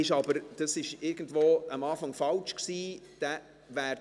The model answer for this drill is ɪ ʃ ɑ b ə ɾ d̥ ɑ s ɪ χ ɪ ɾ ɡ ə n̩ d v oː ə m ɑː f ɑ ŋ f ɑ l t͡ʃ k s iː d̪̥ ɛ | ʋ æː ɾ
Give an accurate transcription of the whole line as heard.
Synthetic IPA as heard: ɪ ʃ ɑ b ə ɾ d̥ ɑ s ɪ ʃ ɪ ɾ ɡ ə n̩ d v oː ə m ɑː f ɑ ŋ f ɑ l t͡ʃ k s iː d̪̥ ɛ | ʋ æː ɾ